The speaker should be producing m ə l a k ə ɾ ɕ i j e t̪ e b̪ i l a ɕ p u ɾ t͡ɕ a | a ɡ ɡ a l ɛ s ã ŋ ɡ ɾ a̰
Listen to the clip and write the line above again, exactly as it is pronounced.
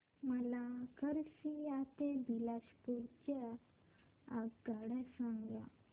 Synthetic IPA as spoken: m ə l a k ə ɾ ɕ i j a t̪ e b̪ i l a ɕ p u ɾ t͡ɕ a | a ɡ ɡ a ɽ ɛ s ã ŋ ɡ l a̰